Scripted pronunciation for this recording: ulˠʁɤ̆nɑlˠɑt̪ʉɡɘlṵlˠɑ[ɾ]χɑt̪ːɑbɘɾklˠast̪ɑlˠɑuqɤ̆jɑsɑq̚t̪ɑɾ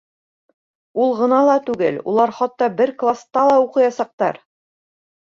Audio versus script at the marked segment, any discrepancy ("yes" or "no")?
no